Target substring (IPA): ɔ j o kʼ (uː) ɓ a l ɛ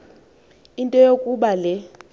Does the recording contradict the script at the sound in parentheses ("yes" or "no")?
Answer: yes